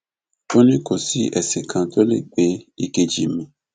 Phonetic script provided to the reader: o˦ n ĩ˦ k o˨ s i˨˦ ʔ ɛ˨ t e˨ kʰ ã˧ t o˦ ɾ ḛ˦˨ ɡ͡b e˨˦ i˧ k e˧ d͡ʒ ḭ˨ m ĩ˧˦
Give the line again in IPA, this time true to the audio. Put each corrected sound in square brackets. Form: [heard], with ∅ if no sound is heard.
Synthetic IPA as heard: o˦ n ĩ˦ k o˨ s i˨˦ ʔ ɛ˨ [s] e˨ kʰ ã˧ t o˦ [l] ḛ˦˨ ɡ͡b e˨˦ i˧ k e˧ d͡ʒ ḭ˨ m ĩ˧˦